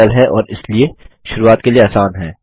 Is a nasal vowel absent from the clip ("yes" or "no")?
yes